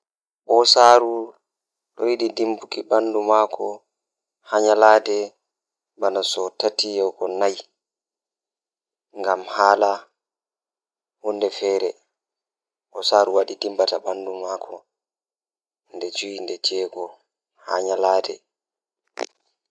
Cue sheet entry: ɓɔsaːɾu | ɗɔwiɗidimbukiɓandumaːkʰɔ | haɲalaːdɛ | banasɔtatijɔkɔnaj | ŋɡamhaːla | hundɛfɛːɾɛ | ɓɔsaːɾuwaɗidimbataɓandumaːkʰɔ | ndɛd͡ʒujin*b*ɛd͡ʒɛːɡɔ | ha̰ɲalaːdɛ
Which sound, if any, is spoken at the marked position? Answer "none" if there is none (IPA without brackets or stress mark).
d